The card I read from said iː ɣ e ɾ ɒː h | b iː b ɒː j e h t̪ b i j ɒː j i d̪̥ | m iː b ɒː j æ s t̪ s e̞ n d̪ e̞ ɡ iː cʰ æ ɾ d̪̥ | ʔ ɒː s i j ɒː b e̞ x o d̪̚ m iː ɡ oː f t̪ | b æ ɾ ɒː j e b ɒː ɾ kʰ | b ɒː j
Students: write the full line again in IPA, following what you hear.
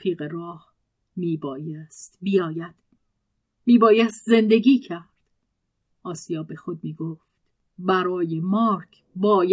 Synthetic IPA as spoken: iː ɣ e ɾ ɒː h | m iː b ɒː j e s t̪ b i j ɒː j æ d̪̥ | m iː b ɒː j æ s t̪ z e̞ n d̪ e̞ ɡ iː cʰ æ ɾ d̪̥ | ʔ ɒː s i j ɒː b e̞ x o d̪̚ m iː ɡ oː f t̪ | b æ ɾ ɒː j e m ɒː ɾ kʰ | b ɒː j